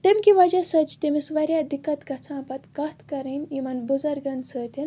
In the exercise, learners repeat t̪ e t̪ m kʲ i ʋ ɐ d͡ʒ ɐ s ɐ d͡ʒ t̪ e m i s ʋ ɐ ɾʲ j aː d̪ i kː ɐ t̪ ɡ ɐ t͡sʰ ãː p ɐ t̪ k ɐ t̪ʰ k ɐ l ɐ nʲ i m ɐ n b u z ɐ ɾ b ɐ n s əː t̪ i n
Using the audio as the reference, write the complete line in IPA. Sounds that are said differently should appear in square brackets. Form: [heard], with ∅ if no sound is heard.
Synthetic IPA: t̪ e [∅] m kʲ i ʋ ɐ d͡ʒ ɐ s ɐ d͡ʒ t̪ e m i s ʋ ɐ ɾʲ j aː d̪ i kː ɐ t̪ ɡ ɐ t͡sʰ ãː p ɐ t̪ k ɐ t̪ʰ k ɐ [ɾ] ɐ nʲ i m ɐ n b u z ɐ ɾ [ɡ] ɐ n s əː t̪ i n